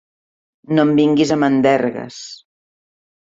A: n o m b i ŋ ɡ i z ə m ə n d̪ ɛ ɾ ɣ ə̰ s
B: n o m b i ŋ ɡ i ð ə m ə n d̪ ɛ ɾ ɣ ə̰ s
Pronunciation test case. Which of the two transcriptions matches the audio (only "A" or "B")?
A